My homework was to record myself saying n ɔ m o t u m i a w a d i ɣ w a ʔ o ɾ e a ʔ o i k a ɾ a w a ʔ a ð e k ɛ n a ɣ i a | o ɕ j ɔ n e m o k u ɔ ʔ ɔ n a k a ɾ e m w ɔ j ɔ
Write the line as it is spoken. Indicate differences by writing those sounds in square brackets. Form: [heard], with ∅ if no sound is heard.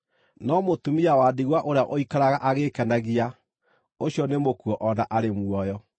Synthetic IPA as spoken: n ɔ m o t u m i a w a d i ɣ w a ʔ o ɾ e a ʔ o i k a ɾ a [ɣ] a ʔ a [ɣ] e k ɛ n a ɣ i a | o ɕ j ɔ n e m o k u ɔ ʔ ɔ n a [ʔ] a ɾ e m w ɔ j ɔ